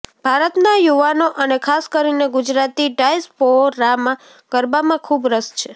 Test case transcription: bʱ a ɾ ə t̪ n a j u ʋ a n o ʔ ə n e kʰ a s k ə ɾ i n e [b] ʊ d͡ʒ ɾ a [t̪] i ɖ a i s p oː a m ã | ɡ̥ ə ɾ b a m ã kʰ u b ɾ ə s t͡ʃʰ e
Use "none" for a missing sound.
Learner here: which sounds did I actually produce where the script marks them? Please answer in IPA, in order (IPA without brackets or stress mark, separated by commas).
ɡ, t̪